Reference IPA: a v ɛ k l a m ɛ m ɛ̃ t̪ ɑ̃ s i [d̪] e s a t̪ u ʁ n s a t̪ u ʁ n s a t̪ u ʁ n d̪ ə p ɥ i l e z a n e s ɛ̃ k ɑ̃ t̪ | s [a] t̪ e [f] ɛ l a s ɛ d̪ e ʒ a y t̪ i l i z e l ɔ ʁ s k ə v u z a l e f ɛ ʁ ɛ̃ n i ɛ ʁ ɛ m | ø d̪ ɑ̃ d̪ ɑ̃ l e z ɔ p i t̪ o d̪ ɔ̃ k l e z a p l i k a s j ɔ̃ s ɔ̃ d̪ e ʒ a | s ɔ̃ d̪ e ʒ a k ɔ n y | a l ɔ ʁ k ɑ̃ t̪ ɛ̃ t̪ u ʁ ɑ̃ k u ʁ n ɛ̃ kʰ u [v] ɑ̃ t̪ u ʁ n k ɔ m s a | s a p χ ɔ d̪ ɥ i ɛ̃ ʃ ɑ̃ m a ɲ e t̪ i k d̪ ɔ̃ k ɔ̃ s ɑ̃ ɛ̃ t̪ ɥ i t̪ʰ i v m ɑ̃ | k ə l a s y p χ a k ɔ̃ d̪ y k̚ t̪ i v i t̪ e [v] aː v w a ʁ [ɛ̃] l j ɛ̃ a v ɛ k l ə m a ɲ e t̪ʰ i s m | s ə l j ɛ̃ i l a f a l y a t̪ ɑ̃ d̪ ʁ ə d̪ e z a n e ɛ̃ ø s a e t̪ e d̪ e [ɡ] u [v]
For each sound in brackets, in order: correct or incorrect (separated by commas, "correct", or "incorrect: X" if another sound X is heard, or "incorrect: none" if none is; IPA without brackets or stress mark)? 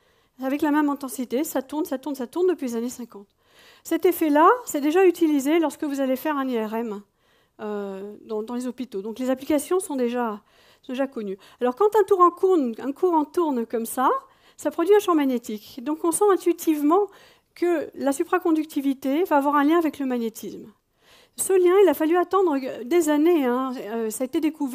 incorrect: t̪, incorrect: ɛ, correct, incorrect: ʁ, correct, correct, incorrect: k, correct